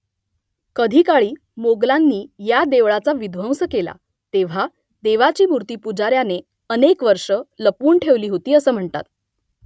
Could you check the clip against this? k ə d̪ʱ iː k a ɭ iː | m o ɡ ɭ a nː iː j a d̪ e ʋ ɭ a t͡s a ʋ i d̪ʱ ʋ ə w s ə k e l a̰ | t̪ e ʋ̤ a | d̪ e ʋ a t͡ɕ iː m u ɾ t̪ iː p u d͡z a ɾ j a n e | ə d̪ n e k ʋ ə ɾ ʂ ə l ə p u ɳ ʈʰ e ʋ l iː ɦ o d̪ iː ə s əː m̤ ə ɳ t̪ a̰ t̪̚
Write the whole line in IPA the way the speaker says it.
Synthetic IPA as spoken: k ə d̪ʱ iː k a ɭ iː | m o ɡ l a nː iː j a d̪ e ʋ ɭ a t͡s a ʋ i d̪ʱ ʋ ə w s ə k e l a̰ | t̪ e ʋ̤ a | d̪ e ʋ a t͡ɕ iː m u ɾ t̪ iː p u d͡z a ɾ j a n e | ə n e k ʋ ə ɾ ʂ ə l ə p uː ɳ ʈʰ e ʋ l iː ɦ o t̪ iː ə s əː m̤ ə ɳ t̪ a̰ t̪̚